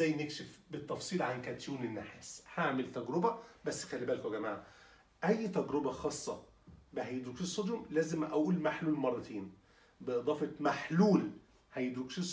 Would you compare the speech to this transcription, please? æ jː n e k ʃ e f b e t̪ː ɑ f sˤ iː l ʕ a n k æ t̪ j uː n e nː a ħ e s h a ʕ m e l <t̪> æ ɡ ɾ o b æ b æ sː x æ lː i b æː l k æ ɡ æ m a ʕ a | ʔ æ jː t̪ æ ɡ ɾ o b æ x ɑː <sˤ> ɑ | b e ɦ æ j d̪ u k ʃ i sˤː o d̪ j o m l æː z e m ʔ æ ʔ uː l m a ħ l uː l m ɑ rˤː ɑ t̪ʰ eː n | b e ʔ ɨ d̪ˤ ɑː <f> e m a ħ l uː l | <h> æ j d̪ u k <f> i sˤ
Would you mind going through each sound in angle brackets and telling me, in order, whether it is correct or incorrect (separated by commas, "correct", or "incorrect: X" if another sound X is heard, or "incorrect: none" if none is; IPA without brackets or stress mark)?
correct, incorrect: sˤː, correct, correct, incorrect: ʃ